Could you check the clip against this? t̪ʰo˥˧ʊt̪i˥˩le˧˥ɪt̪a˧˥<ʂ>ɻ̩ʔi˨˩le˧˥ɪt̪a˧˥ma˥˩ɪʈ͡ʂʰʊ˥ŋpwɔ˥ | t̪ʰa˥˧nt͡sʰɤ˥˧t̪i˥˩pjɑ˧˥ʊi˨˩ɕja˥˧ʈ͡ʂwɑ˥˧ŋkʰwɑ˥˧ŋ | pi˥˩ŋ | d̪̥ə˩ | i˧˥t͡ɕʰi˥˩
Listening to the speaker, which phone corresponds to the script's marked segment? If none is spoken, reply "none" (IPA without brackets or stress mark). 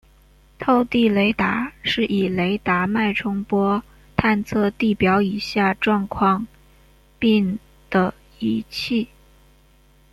ʂ